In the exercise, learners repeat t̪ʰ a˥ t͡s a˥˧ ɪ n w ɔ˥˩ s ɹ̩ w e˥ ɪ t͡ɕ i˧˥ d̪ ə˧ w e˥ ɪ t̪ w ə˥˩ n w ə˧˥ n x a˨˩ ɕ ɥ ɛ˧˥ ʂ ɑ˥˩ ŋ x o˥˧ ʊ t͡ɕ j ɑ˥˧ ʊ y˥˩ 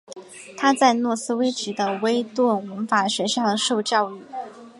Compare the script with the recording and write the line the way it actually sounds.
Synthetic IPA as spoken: t̪ʰ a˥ t͡s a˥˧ ɪ n w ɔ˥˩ s ɹ̩ w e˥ ɪ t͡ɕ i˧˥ d̪ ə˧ w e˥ ɪ t̪ w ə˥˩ n w ə˧˥ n f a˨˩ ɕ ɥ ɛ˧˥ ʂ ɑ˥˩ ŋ ʂ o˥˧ ʊ t͡ɕ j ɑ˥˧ ʊ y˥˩